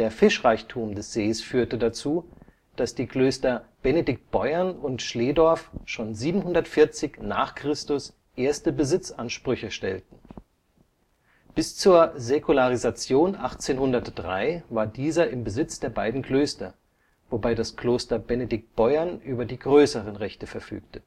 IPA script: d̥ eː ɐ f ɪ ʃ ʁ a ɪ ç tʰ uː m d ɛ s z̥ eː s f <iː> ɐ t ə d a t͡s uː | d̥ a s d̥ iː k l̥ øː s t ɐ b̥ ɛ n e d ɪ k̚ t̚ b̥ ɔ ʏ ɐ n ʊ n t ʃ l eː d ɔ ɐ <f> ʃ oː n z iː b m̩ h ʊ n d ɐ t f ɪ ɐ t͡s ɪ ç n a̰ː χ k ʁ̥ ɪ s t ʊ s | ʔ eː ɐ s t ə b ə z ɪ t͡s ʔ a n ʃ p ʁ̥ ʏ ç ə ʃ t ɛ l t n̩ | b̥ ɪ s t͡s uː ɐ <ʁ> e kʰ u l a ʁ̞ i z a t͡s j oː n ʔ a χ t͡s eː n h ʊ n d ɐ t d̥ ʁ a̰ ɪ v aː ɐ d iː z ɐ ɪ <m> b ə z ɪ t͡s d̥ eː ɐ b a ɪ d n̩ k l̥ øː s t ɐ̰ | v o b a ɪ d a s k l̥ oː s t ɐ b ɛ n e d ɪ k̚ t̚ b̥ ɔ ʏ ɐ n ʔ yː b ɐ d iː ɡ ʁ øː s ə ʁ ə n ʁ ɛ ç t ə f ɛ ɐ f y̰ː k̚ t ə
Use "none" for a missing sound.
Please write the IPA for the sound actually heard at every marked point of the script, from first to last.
yː, f, z, m

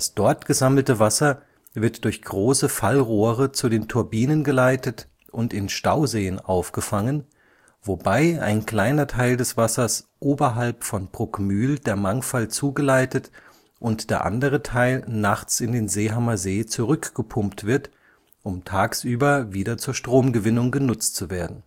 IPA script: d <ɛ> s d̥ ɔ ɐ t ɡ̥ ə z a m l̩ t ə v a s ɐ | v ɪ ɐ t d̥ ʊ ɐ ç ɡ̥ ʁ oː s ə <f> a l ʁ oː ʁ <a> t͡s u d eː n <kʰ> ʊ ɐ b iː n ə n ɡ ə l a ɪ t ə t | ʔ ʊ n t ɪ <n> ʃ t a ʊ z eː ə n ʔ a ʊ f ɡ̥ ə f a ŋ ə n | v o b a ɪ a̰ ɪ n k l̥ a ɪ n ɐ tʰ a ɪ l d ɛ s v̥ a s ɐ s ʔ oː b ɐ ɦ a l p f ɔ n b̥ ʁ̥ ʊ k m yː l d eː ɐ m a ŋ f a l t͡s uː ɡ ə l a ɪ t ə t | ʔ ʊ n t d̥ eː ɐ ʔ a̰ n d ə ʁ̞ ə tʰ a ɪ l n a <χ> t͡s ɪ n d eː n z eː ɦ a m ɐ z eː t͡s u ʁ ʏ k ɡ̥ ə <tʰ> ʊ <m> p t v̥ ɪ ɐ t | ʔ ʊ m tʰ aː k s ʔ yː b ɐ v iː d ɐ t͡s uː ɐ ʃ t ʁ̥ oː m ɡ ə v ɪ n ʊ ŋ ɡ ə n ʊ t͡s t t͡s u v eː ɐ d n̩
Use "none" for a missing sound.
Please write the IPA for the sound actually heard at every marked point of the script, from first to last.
a, f, ə, tʰ, n, χ, pʰ, m

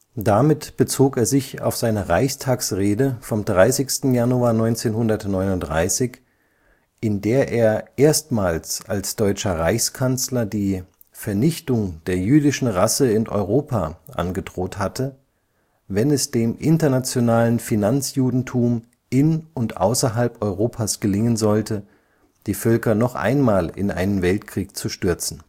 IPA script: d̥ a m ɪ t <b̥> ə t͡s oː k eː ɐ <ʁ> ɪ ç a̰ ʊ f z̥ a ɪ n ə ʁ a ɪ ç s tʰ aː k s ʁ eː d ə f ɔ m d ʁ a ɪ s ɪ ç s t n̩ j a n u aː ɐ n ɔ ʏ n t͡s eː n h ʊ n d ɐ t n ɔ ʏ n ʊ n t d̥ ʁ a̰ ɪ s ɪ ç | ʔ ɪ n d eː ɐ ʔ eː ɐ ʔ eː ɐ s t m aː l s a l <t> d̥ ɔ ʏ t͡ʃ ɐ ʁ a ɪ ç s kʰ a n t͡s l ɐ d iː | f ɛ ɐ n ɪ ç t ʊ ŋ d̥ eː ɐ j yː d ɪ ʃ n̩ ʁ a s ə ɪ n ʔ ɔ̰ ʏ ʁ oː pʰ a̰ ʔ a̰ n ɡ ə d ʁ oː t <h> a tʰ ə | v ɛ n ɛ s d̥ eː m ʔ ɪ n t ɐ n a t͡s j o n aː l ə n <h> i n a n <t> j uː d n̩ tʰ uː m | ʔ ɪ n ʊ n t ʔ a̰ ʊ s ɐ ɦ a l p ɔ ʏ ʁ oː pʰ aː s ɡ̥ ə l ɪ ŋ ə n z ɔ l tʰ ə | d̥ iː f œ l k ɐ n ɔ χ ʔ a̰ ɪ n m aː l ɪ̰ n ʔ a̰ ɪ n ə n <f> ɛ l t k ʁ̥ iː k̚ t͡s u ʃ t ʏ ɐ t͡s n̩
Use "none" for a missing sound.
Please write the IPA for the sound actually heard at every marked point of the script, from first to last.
b̥, z, s, h, f, t͡s, v

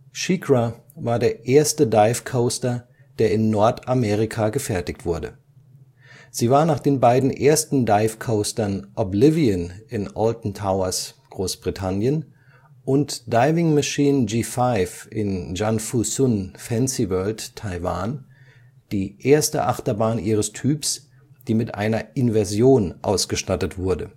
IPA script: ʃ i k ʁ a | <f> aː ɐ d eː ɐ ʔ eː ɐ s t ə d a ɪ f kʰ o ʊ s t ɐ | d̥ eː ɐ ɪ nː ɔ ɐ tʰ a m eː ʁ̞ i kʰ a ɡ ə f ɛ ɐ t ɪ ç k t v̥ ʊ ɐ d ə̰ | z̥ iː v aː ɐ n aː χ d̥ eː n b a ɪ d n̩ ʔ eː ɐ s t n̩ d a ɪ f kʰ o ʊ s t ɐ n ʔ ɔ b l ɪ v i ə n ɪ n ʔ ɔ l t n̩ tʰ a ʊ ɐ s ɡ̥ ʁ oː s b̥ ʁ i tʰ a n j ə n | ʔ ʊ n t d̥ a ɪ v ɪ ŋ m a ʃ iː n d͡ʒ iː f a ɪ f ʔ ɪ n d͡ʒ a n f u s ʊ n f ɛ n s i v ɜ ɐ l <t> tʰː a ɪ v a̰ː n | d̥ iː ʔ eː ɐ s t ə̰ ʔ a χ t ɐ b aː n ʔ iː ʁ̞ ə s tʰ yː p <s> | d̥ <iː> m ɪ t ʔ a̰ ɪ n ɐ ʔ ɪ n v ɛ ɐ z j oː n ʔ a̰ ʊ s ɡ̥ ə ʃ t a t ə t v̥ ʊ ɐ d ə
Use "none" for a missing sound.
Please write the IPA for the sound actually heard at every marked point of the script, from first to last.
v, t, s, iː

